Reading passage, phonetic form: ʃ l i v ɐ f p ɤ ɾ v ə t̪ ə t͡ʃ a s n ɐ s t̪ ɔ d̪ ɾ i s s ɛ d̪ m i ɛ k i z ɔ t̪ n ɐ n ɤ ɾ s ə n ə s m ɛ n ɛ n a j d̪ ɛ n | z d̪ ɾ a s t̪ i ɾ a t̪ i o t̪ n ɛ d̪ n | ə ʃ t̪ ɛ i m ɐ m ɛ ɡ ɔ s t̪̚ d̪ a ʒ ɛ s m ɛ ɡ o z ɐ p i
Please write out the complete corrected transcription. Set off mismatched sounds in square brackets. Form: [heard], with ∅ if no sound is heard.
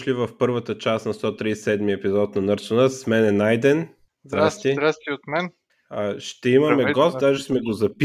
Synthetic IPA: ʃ l i v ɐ f p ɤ ɾ v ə t̪ ə t͡ʃ a s n ɐ s t̪ ɔ [t̪] ɾ i s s ɛ d̪ m i ɛ [p] i z ɔ t̪ n ɐ n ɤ ɾ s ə n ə s m ɛ n ɛ n a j d̪ ɛ n | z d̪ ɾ a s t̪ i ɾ a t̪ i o t̪ [m] ɛ [∅] n | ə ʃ t̪ ɛ i m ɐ m ɛ ɡ ɔ s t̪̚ d̪ a ʒ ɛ s m ɛ ɡ o z ɐ p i